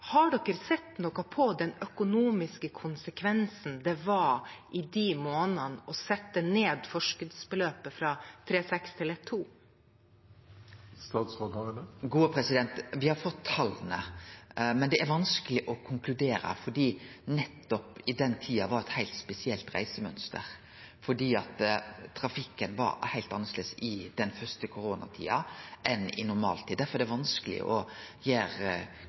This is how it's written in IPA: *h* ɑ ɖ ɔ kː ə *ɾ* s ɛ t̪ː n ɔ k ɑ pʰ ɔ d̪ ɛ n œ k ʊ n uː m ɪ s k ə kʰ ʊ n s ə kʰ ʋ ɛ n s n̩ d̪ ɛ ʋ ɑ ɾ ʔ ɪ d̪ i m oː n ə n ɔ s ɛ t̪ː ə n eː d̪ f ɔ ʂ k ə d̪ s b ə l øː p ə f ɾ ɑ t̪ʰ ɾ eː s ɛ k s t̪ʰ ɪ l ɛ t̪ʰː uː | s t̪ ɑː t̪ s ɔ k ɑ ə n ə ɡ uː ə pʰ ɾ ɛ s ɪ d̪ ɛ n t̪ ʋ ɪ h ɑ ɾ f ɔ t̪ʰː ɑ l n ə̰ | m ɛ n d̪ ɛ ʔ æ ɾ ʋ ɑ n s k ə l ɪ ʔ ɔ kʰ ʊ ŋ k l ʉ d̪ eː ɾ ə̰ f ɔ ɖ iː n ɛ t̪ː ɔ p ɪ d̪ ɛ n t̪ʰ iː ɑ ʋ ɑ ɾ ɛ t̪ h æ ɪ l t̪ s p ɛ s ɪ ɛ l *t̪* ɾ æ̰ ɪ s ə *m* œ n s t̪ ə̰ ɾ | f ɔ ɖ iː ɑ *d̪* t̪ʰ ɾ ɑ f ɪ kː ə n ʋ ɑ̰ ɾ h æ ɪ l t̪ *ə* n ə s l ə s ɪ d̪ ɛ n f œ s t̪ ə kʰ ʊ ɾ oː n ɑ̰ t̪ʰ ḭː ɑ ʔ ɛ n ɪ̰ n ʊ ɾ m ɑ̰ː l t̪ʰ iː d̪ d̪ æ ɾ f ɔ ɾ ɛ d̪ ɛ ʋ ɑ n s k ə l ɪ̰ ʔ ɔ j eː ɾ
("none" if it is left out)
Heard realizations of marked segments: h, ɾ, t̪, m, t̪, ɑ

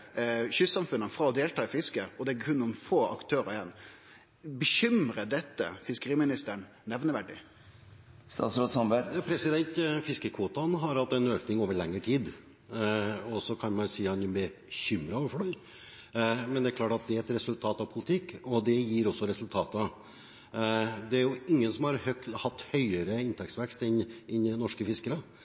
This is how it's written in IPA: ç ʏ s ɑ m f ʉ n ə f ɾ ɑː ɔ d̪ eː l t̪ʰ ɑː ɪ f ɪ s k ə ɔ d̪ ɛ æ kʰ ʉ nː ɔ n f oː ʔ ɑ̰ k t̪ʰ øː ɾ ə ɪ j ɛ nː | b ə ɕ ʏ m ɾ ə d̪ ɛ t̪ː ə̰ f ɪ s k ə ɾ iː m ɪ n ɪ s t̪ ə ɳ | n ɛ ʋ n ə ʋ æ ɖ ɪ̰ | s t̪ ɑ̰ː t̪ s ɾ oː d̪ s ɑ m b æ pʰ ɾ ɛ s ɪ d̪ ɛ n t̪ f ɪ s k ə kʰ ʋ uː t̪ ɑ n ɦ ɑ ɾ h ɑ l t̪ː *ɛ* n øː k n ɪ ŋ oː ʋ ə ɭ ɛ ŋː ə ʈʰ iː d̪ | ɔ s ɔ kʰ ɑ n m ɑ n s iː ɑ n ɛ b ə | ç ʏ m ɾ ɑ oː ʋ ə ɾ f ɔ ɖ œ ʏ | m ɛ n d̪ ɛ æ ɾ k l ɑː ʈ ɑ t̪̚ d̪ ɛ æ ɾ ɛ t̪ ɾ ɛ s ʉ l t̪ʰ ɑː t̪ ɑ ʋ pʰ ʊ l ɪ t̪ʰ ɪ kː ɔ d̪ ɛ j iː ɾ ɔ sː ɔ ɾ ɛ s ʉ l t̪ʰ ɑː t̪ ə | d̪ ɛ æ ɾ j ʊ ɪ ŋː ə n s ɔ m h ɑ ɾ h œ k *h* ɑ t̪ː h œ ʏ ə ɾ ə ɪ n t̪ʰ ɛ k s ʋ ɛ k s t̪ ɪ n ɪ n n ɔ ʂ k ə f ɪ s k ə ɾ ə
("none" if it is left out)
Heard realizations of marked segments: ɛ, h

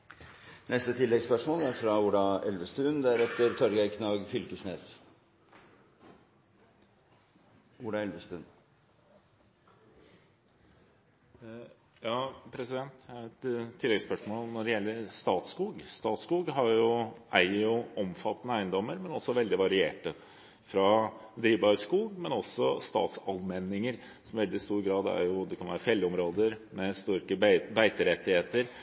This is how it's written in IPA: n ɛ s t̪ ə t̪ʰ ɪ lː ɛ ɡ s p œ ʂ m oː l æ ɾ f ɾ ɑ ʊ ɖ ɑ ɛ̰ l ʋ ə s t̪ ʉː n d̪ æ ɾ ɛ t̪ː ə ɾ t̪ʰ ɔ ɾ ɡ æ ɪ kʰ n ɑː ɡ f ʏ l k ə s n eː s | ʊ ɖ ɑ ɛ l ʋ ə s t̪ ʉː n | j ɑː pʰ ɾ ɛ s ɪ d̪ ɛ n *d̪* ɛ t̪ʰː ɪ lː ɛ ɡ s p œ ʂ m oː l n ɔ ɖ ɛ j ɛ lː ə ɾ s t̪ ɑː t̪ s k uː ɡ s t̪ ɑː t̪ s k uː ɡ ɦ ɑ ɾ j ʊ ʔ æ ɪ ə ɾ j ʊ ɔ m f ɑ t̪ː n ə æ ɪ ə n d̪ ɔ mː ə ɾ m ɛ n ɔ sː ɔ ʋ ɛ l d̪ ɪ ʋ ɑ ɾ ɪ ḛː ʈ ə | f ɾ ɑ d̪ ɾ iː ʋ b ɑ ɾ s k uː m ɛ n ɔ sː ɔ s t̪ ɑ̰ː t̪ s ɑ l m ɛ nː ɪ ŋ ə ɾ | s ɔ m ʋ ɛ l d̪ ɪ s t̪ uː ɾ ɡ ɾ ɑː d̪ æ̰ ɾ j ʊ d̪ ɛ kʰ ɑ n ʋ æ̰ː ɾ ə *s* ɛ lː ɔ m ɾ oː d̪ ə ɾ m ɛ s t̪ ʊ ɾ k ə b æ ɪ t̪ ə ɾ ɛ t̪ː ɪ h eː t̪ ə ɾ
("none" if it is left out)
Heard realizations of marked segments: t̪, f

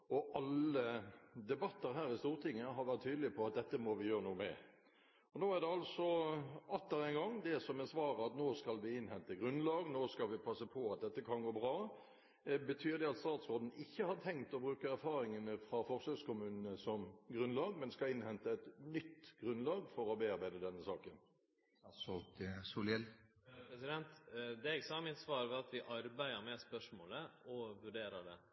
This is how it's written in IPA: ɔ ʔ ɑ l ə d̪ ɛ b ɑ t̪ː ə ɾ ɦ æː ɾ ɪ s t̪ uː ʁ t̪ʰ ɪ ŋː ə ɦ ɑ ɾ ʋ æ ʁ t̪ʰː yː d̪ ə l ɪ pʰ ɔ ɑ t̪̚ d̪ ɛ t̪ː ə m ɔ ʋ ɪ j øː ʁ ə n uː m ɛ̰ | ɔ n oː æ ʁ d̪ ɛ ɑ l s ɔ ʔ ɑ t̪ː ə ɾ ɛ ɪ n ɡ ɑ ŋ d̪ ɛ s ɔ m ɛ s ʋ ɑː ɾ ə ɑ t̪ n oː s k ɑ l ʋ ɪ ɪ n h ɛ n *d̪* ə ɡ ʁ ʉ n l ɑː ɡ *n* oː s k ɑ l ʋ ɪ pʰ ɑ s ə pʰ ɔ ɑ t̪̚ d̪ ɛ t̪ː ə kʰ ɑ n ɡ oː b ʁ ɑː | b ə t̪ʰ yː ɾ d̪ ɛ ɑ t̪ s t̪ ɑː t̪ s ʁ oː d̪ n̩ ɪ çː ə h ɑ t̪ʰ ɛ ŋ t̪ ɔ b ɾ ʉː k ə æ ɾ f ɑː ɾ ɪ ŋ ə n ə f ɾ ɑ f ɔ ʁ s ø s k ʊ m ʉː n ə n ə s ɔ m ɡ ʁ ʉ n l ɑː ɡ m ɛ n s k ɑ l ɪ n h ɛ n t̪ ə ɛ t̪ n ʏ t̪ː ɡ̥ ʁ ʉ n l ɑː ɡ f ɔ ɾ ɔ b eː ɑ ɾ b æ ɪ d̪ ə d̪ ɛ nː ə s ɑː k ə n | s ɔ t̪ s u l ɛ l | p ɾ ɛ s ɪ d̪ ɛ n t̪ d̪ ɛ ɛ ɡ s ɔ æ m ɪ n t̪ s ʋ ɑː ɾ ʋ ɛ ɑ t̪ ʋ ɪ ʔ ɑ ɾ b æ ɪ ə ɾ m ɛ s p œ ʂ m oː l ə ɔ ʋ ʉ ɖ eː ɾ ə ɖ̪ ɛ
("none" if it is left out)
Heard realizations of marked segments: t̪, n

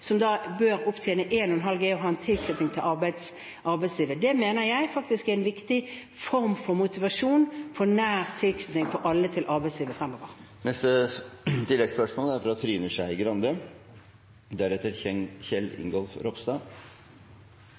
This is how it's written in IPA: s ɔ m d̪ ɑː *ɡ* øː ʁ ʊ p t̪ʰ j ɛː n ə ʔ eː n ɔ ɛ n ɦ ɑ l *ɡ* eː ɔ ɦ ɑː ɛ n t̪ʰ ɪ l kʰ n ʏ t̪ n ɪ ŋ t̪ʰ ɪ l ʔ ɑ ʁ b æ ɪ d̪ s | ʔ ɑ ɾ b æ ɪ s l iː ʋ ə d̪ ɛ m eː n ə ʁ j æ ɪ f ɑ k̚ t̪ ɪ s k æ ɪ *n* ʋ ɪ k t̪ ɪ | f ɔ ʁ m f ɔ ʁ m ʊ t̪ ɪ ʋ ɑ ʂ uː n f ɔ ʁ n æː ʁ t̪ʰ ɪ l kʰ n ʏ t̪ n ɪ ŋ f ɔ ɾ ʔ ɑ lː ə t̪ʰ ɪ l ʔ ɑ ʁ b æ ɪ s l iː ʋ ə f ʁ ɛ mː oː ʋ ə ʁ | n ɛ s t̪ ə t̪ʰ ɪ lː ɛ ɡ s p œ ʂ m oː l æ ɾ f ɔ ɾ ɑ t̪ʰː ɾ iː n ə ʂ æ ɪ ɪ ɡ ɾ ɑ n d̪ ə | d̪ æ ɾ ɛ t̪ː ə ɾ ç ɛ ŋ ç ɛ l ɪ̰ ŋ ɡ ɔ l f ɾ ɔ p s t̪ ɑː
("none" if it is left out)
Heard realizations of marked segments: b, ɡ, n

